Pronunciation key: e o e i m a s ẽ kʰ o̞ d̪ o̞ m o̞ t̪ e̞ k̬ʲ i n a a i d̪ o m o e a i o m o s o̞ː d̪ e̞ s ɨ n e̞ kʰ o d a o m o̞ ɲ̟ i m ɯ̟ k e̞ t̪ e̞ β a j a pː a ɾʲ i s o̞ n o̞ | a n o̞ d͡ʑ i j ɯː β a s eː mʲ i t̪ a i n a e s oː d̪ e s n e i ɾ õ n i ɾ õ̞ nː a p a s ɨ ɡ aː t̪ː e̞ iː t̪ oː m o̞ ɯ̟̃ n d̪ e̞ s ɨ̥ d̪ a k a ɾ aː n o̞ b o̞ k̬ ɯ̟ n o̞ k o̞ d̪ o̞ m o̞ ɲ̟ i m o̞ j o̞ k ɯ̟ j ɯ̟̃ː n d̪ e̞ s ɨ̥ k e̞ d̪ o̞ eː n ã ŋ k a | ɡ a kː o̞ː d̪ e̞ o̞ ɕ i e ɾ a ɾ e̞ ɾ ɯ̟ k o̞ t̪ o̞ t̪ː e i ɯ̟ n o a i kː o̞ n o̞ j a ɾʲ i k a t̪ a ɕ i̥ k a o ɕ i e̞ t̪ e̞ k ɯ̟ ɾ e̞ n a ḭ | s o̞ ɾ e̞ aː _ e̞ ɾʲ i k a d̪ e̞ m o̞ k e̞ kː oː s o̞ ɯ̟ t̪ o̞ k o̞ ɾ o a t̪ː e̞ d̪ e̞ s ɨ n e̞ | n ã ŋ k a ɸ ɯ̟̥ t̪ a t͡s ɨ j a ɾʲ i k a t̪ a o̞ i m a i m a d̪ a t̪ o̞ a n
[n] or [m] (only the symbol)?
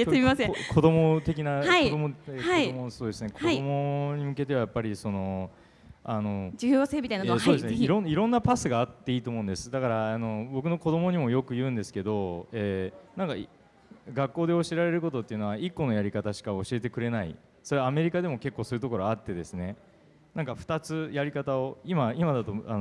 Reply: m